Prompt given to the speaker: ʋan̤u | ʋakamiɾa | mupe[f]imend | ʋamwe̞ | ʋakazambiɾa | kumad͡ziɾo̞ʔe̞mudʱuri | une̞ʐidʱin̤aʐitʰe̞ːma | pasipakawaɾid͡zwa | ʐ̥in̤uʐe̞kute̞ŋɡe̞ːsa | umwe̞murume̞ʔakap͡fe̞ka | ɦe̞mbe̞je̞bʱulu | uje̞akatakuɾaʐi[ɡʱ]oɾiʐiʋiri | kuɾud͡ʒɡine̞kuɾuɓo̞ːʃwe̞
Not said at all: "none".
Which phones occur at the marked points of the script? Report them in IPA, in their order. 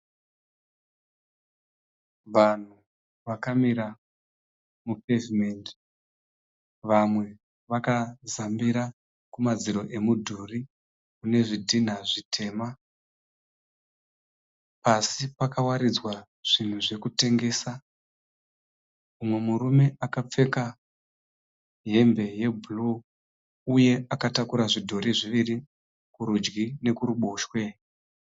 v, dʱ

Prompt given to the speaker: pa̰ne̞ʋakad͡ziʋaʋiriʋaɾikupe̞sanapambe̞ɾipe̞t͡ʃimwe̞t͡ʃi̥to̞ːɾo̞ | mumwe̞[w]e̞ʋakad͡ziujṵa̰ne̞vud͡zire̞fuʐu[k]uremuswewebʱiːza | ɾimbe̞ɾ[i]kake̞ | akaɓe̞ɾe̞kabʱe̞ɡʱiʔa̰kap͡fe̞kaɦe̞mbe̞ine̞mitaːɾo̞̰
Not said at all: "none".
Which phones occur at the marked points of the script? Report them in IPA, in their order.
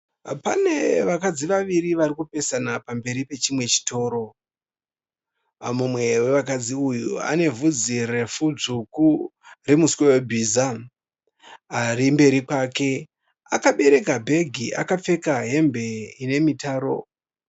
w, k, i

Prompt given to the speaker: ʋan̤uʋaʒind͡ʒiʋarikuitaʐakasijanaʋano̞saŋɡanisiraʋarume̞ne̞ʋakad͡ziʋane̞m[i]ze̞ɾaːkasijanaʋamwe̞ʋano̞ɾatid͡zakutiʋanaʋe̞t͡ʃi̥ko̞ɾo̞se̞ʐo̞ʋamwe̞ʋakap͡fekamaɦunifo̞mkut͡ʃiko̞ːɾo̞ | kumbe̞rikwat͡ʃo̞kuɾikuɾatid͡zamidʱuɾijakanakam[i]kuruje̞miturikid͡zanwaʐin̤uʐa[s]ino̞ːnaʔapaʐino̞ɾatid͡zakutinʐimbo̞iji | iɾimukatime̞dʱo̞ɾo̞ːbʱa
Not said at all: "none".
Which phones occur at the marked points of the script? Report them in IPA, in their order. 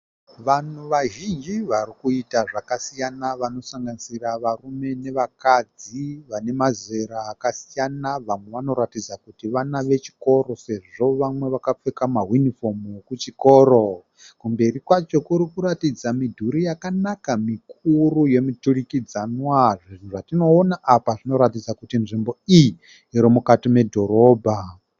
a, i, t

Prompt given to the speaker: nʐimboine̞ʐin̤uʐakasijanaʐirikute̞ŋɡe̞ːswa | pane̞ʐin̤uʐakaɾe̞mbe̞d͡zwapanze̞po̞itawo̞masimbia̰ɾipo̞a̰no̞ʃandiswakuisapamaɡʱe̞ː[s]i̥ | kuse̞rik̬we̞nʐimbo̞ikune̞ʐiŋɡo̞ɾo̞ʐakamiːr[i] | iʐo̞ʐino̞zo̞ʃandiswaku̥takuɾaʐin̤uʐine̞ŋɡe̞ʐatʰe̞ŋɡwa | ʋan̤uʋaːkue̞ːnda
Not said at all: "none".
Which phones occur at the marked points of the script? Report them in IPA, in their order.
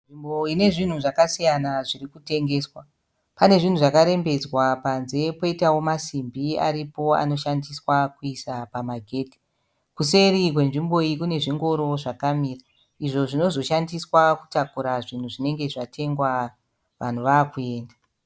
t, a

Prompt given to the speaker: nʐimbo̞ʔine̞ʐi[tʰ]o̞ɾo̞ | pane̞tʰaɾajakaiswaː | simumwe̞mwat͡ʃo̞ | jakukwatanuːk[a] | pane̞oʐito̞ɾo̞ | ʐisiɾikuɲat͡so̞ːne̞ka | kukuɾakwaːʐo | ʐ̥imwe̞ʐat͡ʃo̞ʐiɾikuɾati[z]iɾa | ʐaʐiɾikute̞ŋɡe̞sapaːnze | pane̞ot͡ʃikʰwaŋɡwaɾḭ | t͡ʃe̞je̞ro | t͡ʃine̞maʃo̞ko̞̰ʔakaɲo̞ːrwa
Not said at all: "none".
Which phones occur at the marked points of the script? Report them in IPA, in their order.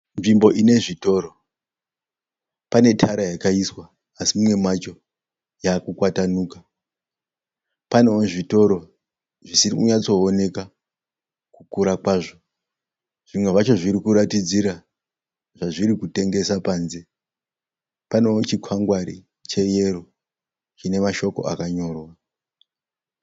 t, a, d͡z

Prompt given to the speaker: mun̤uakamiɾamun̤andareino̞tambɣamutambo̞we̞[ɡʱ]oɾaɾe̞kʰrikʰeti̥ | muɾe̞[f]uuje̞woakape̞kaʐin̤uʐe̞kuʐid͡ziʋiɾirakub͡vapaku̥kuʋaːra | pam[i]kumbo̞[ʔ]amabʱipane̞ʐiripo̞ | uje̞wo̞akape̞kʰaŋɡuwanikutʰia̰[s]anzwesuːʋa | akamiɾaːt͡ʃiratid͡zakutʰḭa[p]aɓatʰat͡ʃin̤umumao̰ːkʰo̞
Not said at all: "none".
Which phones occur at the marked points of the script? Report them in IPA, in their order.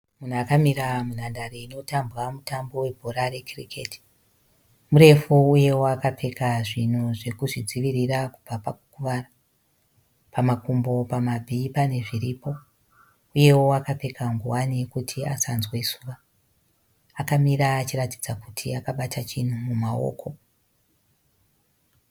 bʱ, f, a, p, s, k

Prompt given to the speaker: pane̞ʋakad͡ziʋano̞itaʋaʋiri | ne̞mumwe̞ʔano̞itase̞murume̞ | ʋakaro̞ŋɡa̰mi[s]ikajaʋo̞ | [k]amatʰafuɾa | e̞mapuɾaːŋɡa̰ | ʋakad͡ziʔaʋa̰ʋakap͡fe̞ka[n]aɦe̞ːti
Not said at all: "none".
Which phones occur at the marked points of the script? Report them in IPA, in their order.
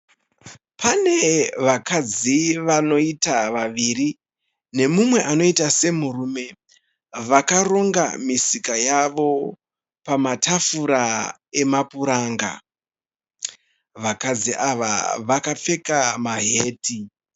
s, p, m

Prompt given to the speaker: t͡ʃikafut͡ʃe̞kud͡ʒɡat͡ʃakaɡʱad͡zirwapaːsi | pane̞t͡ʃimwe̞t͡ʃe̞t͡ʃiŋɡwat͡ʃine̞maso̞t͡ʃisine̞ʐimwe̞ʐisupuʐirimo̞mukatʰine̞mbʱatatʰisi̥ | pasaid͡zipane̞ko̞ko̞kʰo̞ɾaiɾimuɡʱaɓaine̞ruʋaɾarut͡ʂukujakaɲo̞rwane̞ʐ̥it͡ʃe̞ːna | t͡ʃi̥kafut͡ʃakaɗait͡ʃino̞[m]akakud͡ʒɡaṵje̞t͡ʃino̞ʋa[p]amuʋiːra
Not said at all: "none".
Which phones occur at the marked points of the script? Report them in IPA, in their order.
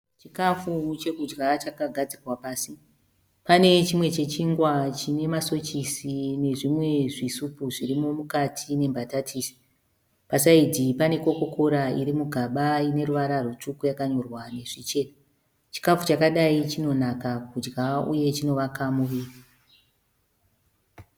n, k

